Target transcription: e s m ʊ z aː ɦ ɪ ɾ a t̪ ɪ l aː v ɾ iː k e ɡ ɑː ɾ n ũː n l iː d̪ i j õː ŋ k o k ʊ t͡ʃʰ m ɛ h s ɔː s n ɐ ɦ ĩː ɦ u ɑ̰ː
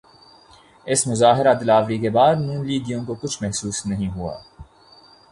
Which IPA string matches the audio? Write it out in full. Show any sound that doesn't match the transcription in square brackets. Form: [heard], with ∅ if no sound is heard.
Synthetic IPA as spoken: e s m ʊ z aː ɦ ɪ ɾ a [d̪] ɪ l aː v ɾ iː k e [b] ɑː ɾ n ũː n l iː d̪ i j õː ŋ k o k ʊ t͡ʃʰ m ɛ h s [uː] s n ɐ ɦ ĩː ɦ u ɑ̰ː